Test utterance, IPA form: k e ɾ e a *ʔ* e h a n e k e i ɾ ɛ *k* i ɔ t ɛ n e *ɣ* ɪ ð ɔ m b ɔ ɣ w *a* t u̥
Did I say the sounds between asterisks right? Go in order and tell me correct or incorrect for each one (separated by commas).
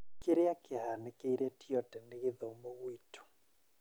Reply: incorrect, incorrect, correct, incorrect